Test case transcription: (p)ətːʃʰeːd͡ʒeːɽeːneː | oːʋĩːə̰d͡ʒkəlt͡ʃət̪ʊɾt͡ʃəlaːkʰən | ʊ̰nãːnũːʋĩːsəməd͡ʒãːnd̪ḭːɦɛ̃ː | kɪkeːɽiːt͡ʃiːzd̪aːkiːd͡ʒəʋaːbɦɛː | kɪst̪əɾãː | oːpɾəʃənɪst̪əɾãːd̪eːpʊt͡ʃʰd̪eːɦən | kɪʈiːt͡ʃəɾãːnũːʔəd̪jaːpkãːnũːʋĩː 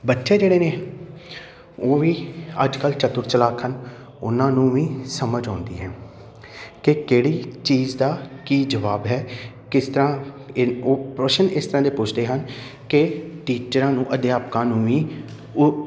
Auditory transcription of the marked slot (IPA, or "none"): b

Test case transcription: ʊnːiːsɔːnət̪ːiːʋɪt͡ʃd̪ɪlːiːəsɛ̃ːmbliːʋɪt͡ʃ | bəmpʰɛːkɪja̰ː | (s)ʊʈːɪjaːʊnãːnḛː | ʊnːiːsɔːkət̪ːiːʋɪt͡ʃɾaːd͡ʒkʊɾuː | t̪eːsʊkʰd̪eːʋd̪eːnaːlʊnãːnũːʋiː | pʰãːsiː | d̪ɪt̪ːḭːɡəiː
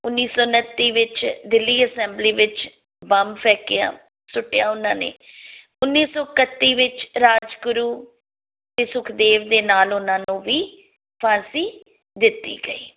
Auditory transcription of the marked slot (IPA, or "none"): s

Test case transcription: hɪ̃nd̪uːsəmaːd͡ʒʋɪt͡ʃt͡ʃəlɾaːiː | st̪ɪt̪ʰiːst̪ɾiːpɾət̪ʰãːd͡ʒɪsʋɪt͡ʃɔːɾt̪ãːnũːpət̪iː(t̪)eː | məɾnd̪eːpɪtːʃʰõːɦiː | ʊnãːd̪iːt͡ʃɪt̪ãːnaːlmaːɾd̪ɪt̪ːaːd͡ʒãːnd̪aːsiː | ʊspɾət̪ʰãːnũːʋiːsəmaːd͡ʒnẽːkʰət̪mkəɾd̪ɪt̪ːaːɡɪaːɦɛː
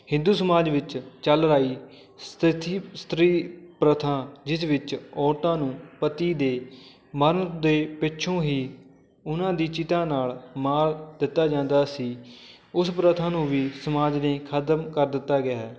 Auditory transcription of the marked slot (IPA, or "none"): d̪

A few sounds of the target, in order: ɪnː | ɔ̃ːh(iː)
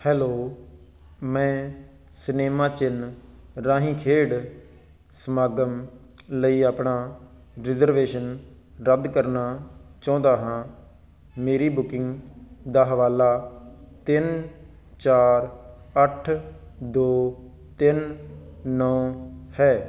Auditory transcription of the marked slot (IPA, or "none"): ɛː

